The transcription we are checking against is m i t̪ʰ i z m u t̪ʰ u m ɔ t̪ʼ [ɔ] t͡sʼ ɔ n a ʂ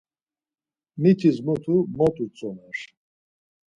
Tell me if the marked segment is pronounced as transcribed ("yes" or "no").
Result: no